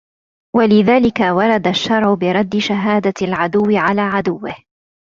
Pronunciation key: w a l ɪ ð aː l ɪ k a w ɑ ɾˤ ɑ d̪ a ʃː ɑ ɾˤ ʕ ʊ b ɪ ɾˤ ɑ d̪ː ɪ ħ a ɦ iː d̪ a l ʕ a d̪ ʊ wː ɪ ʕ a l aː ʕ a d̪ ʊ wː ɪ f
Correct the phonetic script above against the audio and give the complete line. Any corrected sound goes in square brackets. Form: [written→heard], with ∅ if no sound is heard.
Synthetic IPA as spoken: w a l ɪ ð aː l ɪ k a w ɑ ɾˤ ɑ d̪ a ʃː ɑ ɾˤ ʕ ʊ b ɪ ɾˤ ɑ d̪ː ɪ [ħ→ʃ] a ɦ [iː→aː] d̪ a l ʕ a d̪ ʊ wː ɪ ʕ a l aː ʕ a d̪ ʊ wː ɪ [f→h]